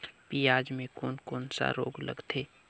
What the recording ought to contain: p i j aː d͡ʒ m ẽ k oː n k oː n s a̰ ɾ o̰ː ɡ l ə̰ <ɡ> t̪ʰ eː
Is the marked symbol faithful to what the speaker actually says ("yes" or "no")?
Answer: yes